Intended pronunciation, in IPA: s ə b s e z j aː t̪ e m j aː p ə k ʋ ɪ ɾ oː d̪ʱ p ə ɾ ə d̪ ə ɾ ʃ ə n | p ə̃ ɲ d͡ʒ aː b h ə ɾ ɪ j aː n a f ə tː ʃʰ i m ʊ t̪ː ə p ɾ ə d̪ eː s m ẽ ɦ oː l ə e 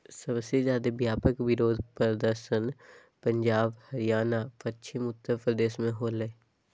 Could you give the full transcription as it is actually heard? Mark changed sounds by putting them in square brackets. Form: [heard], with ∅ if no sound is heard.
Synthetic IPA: s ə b s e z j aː [d̪] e [b] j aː p ə k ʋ ɪ ɾ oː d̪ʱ p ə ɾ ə d̪ ə ɾ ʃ ə n | p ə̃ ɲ d͡ʒ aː b h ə ɾ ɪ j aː n a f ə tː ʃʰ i m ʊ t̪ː ə p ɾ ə d̪ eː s m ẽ ɦ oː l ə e